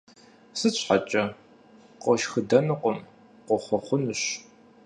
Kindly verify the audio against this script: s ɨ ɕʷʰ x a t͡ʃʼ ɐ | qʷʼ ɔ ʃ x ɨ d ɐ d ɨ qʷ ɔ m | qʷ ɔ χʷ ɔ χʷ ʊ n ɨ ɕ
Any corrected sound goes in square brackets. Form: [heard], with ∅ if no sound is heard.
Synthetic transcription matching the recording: s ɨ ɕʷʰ [ħ] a t͡ʃʼ ɐ | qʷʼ ɔ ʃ x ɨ d ɐ [n] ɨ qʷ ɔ m | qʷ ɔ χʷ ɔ χʷ ʊ n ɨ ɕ